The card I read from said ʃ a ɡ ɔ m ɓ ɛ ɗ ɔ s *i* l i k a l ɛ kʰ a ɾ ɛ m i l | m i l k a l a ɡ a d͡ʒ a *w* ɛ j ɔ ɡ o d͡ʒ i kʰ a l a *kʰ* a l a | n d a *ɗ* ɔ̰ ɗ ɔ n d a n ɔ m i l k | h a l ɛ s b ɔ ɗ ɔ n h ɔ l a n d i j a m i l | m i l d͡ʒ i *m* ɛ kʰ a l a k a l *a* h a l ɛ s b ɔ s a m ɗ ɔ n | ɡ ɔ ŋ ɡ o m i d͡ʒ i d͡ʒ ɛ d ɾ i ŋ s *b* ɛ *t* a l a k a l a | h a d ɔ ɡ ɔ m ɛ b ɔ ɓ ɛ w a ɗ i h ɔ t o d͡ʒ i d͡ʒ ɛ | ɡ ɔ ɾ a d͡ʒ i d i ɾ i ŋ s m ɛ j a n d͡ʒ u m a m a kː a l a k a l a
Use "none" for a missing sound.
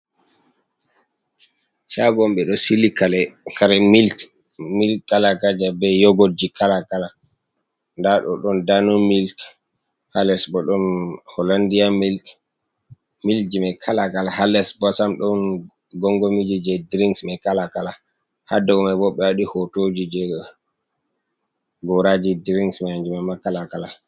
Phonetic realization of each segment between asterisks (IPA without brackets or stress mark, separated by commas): i, b, k, ɗ, m, a, m, k